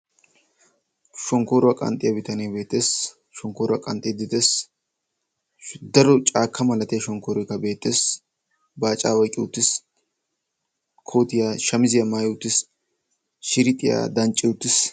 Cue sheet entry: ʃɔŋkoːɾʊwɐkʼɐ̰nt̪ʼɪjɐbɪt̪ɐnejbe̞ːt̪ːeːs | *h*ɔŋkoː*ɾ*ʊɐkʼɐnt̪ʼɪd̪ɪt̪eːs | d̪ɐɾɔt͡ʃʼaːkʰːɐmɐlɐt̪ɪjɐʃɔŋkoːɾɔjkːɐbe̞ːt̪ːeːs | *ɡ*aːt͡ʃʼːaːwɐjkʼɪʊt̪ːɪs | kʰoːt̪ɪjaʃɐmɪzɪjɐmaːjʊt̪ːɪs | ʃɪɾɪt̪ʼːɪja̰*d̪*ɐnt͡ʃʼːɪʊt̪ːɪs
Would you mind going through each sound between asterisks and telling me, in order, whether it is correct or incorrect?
incorrect: ʃ, correct, incorrect: b, correct

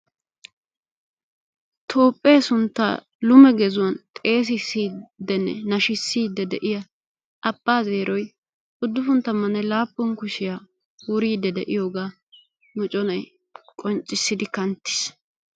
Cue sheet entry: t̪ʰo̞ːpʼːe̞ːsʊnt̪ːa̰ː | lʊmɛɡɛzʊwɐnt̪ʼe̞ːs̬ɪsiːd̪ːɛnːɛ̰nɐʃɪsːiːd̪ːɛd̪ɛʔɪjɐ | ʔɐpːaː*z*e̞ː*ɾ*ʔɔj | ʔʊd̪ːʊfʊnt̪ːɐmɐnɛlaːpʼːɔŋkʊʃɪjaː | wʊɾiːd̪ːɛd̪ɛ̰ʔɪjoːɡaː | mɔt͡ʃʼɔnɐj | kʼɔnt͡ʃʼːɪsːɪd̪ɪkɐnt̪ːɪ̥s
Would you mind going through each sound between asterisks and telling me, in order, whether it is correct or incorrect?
correct, correct

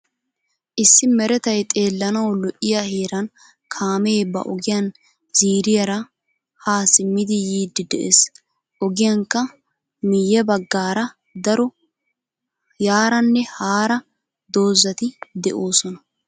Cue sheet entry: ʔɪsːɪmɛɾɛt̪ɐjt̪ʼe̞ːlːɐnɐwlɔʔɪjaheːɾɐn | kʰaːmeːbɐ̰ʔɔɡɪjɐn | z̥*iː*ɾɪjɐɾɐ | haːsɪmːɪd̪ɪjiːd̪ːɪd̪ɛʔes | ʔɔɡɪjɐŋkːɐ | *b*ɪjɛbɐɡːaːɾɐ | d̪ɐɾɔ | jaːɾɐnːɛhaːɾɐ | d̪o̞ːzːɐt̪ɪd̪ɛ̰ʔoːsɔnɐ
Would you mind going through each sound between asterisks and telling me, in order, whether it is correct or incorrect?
correct, incorrect: m

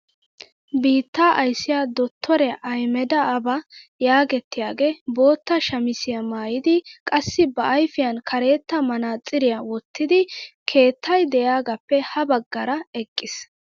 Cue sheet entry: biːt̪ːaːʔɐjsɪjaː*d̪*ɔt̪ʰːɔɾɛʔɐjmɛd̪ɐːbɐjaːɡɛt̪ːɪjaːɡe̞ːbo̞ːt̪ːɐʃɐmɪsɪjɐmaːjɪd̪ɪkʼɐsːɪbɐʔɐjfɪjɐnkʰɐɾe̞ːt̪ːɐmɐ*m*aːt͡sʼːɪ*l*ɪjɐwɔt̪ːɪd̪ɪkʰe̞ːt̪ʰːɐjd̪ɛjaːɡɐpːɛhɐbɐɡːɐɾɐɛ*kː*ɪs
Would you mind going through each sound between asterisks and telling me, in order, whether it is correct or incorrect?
correct, incorrect: n, incorrect: ɾ, incorrect: kʼː

